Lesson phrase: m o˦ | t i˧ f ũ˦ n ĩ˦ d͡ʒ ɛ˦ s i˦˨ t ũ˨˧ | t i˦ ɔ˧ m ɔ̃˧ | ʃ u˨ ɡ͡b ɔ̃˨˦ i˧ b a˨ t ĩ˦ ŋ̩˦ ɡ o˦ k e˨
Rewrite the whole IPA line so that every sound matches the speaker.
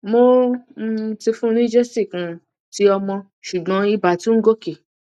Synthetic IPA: m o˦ | t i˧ f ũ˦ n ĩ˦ d͡ʒ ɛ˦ s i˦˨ k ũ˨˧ | t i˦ ɔ˧ m ɔ̃˧ | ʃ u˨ ɡ͡b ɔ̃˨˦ i˧ b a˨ t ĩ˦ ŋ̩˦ ɡ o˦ k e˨

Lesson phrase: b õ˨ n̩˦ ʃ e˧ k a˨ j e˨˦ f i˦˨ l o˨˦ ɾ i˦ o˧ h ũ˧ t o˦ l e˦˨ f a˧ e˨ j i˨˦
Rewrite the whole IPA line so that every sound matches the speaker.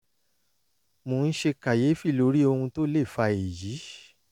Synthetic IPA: m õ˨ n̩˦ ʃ e˧ k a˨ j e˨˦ f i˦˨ l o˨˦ ɾ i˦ o˧ h ũ˧ t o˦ l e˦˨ f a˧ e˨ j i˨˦

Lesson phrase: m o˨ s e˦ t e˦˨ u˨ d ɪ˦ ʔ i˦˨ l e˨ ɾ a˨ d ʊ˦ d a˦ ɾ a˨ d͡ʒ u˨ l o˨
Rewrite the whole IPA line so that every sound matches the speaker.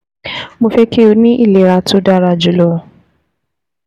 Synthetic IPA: m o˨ f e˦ k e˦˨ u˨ n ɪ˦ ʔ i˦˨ l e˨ ɾ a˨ t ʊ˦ d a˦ ɾ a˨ d͡ʒ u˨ l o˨

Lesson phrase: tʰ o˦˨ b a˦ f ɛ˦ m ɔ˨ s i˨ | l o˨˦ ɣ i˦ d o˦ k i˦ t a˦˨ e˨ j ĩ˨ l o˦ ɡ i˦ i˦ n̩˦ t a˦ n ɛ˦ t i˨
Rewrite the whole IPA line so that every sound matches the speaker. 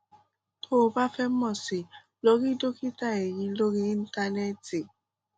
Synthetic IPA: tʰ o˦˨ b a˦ f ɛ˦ m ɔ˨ s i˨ | l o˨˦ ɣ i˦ d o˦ k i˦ t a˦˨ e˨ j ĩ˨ l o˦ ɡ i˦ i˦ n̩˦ t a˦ n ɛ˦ t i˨

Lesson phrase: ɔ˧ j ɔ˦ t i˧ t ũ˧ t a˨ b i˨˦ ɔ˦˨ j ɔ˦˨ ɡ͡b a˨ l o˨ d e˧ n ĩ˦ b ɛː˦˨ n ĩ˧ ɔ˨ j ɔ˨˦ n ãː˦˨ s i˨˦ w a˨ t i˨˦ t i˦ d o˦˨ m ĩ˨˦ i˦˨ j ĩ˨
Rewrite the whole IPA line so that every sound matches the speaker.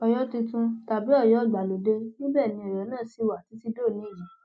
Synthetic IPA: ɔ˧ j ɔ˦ t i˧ t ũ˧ t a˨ b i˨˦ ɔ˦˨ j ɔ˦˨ ɡ͡b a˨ l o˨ d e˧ n ĩ˦ b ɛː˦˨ n ĩ˧ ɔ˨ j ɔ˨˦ n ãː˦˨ s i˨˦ w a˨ t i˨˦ t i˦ d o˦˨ n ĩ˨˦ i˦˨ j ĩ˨

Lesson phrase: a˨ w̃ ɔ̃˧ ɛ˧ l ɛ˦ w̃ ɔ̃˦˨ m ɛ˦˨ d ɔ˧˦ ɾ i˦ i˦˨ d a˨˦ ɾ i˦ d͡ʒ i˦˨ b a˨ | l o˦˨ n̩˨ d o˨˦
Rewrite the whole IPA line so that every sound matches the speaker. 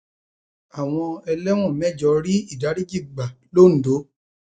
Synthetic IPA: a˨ w̃ ɔ̃˧ ɛ˧ l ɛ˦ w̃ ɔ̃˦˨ m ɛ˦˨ d͡ʒ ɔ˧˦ ɾ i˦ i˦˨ d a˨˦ ɾ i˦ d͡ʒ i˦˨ ɡ͡b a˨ | l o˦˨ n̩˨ d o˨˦

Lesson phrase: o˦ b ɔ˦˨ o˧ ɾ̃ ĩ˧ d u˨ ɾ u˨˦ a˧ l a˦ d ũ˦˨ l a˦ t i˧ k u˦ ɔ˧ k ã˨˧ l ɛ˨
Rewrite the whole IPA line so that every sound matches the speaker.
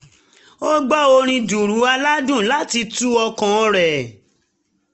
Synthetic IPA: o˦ ɡ͡b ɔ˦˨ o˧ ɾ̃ ĩ˧ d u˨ ɾ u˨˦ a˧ l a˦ d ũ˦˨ l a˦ t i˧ t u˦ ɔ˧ k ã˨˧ ɾ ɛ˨

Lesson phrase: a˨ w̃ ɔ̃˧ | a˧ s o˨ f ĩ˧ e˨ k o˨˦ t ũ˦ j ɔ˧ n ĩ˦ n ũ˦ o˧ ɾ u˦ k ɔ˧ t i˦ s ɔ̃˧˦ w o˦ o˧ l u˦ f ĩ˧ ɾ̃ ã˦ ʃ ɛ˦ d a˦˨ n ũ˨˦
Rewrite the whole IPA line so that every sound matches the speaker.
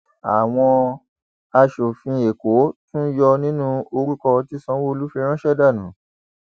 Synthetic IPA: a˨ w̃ ɔ̃˧ | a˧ ʃ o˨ f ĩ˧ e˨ k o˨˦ t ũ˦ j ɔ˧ n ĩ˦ n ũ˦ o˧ ɾ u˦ k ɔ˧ t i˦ s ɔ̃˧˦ w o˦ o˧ l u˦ f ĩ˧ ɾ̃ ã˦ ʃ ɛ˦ d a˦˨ n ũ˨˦

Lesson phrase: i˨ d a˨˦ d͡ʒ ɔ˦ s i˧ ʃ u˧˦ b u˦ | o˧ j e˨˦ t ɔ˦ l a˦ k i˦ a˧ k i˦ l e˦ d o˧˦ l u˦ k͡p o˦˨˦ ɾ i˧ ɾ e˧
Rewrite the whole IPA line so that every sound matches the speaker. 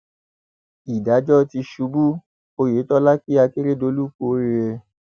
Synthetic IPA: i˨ d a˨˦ d͡ʒ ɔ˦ t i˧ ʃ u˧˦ b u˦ | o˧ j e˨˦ t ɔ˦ l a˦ k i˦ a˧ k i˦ ɾ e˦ d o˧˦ l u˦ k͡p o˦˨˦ ɾ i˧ ɾ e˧

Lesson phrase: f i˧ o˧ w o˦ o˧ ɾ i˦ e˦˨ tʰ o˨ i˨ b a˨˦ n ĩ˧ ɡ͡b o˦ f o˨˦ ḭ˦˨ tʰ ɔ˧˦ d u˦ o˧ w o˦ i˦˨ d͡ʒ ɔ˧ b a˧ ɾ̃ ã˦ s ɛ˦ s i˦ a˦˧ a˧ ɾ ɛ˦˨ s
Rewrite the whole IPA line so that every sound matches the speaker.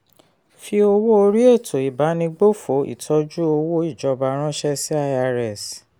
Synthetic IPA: f i˧ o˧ w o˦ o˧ ɾ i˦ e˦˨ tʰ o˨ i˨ b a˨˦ n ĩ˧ ɡ͡b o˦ f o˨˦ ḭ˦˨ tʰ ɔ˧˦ d͡ʒ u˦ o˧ w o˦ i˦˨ d͡ʒ ɔ˧ b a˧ ɾ̃ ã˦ ʃ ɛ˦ s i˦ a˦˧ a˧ ɾ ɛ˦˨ s

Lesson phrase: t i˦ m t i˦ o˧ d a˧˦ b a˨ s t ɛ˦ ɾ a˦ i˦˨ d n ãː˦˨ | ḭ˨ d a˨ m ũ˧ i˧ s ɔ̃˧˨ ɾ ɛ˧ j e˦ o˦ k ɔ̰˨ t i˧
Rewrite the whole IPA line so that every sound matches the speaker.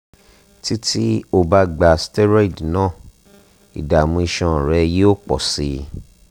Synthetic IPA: t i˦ t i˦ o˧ b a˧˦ ɡ͡b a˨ s t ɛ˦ ɾ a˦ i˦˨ d n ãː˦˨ | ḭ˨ d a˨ m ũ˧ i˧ ʃ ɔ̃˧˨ ɾ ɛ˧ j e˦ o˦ k͡p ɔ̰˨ s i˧

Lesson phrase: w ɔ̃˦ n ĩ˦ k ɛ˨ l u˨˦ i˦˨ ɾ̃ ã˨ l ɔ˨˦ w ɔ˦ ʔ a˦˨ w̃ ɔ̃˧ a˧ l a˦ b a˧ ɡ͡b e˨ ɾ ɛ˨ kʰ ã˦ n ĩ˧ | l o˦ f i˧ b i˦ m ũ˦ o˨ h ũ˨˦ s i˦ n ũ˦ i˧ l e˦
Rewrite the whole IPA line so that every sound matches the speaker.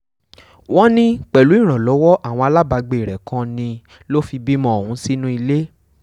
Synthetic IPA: w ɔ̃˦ n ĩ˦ k͡p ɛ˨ l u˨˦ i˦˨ ɾ̃ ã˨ l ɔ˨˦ w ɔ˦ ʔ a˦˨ w̃ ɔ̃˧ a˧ l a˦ b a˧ ɡ͡b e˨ ɾ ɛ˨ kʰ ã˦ n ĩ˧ | l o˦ f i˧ b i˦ m ɔ̃˦ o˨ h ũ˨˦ s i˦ n ũ˦ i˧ l e˦

